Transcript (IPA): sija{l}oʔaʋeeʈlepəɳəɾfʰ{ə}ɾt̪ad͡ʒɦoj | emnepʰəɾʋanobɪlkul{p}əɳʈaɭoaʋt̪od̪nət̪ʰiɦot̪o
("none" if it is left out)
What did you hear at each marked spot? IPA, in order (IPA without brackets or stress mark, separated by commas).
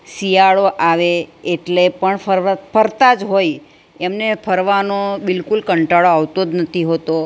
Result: ɭ, ə, k